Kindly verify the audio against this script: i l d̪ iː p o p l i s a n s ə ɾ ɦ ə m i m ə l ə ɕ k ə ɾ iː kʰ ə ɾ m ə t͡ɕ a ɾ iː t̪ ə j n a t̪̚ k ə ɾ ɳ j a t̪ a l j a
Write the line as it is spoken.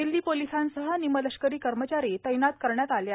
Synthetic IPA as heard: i l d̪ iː p o l i s a n s ə ɦ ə n i m ə l ə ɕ k ə ɾ iː k ə ɾ m ə t͡ɕ a ɾ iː t̪ ə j n a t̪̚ k ə ɾ ɳ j a t̪ a l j a